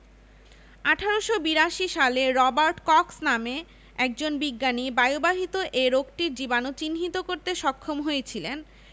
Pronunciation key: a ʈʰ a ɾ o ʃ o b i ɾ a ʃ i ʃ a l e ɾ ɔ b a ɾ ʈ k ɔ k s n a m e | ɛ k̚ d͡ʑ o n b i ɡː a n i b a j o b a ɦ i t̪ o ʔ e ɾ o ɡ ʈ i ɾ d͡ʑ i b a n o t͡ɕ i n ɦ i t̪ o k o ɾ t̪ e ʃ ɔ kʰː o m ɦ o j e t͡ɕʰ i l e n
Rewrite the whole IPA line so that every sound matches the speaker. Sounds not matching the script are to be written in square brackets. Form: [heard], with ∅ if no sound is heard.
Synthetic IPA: a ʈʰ a ɾ o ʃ o b i ɾ a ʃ i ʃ a l e ɾ ɔ b a ɾ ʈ k ɔ k s n a m e | ɛ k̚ d͡ʑ o n b i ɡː a n i b a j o b a ɦ i t̪ o ʔ e ɾ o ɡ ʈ i ɾ d͡ʑ i b a n o t͡ɕ i n ɦ i t̪ o k o ɾ t̪ e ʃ ɔ kʰː o m ɦ o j e t͡ɕʰ i l e n